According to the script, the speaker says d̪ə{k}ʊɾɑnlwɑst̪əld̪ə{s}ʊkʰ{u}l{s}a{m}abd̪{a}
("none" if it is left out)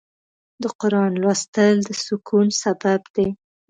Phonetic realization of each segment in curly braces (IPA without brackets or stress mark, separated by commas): q, s, u, s, b, e